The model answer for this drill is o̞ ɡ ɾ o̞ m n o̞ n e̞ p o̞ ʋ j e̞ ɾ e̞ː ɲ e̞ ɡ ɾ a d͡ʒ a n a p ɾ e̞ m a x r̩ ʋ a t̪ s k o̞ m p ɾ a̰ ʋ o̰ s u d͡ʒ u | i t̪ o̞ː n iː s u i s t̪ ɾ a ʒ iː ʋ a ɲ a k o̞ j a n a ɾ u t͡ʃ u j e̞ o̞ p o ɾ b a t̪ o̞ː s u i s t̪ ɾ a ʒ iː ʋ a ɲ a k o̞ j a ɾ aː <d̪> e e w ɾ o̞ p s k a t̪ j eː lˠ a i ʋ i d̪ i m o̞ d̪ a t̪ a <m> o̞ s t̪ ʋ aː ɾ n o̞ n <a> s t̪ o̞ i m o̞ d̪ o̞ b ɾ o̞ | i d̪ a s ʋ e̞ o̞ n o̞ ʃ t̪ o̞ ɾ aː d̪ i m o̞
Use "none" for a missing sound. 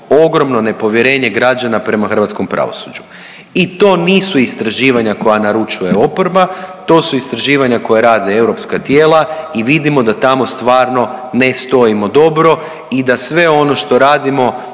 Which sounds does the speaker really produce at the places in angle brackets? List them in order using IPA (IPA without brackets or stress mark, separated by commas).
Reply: d̪, m, e